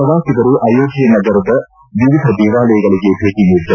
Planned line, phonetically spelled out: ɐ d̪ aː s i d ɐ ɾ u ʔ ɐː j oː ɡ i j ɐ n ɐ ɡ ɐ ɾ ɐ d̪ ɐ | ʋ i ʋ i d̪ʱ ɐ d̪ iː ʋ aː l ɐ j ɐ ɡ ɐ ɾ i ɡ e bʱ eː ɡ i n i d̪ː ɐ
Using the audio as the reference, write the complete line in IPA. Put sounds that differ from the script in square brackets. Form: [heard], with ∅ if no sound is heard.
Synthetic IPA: ɐ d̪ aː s i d ɐ ɾ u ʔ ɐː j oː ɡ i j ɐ n ɐ ɡ ɐ ɾ ɐ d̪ ɐ | ʋ i ʋ i d̪ʱ ɐ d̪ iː ʋ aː l ɐ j ɐ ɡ ɐ [ɭ] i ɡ e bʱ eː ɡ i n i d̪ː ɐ